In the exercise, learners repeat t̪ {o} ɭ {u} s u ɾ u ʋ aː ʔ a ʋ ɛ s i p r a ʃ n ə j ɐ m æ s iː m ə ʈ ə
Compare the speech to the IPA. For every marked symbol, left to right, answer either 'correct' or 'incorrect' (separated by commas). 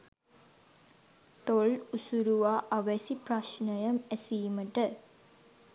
correct, correct